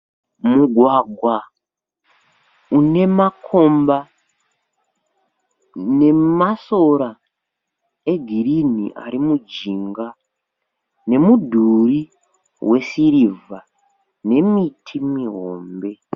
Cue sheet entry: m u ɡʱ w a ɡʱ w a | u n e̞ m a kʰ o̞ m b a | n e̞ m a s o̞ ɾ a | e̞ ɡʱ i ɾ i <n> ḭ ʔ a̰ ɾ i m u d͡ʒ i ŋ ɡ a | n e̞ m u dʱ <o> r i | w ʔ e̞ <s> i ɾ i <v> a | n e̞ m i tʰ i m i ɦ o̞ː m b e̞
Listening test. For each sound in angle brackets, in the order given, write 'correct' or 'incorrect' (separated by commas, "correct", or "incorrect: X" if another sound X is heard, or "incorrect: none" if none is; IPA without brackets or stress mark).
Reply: correct, incorrect: u, correct, correct